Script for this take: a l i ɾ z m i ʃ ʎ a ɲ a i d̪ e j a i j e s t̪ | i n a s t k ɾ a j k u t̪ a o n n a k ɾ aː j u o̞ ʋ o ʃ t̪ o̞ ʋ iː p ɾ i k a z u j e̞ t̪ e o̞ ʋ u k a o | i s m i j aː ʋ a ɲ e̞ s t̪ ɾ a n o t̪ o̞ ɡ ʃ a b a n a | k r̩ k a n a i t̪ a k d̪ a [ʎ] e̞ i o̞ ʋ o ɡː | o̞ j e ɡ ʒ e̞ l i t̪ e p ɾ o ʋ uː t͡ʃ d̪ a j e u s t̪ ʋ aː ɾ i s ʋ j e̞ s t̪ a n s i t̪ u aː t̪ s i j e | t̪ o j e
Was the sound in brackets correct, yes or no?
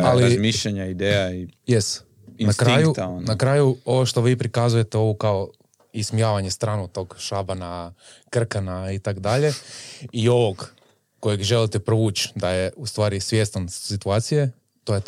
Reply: yes